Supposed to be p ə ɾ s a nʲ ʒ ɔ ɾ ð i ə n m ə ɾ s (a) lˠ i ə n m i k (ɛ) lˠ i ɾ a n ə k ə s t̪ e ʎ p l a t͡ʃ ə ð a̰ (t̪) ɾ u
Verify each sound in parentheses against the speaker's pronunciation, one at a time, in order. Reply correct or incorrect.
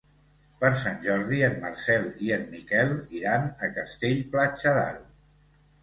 incorrect, correct, incorrect

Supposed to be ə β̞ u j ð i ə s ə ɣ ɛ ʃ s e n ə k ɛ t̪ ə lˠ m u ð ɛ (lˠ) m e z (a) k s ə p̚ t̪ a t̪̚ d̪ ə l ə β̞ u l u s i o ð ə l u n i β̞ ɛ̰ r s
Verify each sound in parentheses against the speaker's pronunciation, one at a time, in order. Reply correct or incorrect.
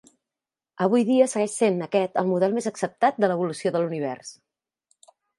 correct, incorrect

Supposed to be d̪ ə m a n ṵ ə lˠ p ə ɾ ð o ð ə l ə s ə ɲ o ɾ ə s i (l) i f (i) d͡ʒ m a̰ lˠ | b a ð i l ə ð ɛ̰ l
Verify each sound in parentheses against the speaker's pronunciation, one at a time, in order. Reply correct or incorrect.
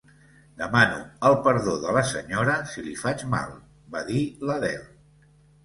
correct, incorrect

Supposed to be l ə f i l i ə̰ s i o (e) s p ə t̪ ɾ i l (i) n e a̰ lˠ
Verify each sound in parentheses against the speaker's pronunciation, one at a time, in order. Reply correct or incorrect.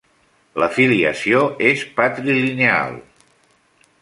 correct, correct

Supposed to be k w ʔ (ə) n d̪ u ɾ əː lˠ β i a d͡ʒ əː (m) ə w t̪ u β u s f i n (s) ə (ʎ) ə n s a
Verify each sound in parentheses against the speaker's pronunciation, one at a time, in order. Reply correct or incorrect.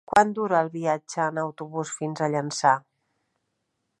incorrect, incorrect, incorrect, correct

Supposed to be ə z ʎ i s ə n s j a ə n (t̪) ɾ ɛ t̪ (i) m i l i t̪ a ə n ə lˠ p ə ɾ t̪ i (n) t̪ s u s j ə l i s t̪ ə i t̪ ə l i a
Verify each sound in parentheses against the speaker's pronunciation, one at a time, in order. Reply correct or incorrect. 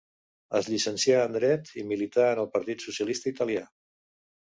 incorrect, correct, incorrect

